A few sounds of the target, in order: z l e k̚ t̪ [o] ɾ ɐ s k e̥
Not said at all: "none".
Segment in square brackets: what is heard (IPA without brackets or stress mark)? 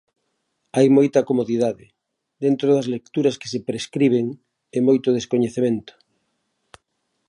u